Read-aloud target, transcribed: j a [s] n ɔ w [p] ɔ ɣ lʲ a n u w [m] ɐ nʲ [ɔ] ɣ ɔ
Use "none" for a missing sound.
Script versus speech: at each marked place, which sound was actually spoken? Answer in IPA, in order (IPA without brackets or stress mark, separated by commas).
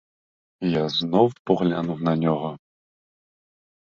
z, p, n, ɔ